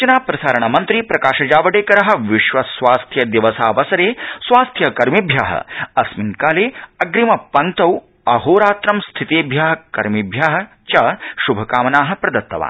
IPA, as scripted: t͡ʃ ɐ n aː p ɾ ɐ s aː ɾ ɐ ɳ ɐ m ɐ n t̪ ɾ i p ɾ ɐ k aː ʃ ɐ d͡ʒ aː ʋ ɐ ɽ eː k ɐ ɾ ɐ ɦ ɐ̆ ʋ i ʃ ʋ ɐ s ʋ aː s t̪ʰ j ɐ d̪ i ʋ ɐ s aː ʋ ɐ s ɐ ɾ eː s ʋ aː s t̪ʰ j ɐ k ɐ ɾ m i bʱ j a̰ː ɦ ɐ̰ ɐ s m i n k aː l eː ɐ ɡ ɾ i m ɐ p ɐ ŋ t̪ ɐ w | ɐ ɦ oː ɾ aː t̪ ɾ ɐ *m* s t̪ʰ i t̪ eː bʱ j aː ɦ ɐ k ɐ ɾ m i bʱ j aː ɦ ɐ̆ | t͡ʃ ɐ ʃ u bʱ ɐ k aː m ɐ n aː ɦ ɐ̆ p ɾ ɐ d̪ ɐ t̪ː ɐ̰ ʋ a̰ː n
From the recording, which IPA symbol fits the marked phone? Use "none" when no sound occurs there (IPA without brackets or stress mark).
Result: m